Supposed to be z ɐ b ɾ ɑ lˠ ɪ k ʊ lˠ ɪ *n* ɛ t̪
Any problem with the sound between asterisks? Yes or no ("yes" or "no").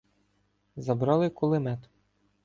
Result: yes